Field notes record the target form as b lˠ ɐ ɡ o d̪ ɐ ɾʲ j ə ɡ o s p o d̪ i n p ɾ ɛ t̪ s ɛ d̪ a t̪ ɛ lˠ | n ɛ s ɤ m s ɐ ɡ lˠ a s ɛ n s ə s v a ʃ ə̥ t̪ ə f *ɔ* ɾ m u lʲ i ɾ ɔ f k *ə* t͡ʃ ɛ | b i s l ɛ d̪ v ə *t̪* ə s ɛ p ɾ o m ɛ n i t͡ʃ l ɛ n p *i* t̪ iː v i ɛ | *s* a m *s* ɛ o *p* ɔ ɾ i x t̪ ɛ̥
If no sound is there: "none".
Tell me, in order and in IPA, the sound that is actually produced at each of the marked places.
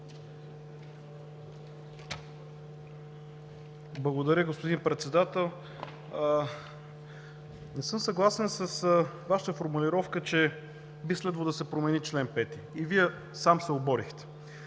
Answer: o, ə, d̪, ɛ, s, s, b

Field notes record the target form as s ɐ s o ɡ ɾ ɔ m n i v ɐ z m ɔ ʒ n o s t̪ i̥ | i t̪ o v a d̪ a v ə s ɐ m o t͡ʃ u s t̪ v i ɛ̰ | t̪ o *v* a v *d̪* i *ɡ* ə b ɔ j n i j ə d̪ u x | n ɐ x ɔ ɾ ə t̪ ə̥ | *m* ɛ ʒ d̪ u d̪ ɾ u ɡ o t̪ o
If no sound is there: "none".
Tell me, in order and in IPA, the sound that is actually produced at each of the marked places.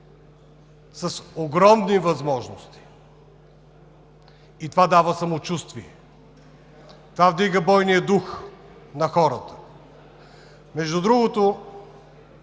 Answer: v, d̪, ɡ, m

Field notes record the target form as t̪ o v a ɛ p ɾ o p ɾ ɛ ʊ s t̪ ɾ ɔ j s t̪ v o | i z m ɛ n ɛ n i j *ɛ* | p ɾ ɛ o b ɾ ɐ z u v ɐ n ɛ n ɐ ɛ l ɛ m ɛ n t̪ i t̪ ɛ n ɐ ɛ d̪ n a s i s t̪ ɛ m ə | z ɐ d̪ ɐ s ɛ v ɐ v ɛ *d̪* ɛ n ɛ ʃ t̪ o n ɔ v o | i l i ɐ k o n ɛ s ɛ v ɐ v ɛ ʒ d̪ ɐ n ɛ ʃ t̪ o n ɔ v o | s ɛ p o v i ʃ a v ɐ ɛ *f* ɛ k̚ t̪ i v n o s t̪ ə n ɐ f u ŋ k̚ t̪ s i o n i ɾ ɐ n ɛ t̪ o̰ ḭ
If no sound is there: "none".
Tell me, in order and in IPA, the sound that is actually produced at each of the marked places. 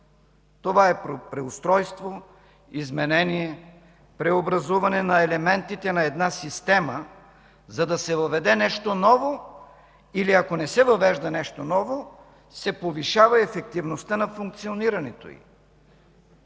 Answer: ɛ, d̪, f

